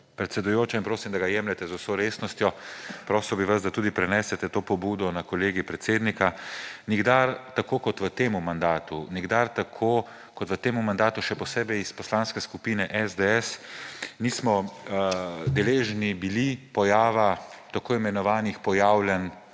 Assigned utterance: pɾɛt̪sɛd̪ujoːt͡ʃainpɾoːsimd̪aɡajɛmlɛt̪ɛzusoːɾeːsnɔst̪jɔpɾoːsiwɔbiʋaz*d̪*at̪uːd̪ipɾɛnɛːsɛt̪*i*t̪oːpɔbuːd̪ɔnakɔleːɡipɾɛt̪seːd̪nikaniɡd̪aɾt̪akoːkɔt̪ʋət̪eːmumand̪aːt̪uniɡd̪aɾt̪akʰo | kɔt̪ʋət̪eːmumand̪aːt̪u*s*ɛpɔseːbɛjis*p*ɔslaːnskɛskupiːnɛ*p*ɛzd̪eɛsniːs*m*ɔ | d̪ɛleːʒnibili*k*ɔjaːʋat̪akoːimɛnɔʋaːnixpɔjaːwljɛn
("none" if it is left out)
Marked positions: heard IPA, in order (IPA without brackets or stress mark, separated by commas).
d̪, ɛ, ʃ, p, ʔ, m, p